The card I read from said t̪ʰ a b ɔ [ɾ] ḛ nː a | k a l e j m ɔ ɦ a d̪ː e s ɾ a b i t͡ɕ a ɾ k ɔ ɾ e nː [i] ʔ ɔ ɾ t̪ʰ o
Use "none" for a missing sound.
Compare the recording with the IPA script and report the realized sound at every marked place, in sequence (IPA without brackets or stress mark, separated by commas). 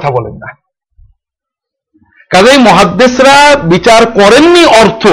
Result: l, i